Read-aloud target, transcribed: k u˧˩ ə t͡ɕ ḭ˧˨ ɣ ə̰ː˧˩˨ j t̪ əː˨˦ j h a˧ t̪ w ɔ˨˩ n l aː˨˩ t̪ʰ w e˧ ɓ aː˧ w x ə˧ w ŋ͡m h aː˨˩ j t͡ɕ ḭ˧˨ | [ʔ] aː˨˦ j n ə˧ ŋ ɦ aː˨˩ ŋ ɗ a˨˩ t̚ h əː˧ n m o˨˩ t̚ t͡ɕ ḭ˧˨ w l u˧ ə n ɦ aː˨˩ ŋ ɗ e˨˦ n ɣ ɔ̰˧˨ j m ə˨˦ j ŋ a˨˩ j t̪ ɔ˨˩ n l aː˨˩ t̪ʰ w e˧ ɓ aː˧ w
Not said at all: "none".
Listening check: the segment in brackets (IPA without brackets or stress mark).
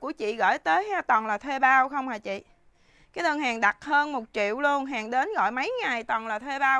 k